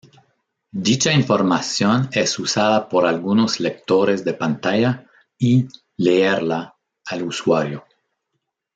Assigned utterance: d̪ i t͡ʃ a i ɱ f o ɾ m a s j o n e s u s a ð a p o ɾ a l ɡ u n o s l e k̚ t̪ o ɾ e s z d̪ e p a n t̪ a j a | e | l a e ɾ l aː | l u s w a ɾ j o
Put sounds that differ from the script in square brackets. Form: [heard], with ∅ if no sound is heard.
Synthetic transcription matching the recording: d̪ i t͡ʃ a i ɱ f o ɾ m a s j o n e s u s a ð a p o ɾ a l ɡ u n o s l e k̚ t̪ o ɾ e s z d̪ e p a n t̪ a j a | [i] | l [e] e ɾ l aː | l u s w a ɾ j o